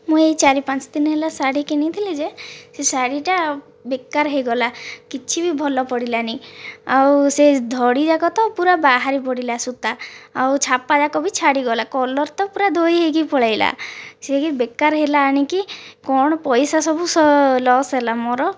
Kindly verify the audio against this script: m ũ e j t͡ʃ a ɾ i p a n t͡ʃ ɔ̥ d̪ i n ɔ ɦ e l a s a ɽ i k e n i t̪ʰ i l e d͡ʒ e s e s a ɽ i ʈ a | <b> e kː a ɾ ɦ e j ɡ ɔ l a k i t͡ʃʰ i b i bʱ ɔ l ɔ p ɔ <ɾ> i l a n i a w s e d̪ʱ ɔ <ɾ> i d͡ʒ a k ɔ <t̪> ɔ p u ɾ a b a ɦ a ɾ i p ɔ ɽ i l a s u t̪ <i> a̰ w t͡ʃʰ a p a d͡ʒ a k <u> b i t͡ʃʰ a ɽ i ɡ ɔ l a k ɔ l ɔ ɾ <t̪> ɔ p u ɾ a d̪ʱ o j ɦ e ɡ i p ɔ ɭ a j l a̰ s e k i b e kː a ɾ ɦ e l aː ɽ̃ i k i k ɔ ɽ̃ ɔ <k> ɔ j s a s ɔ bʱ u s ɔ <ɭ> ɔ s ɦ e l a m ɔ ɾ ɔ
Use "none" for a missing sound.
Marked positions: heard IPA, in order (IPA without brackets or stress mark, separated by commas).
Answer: b, ɽ, ɽ, t̪, a, ɔ, t̪, p, l